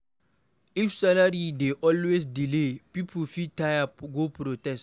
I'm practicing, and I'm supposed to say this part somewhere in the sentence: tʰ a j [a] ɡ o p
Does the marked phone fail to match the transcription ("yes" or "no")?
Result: no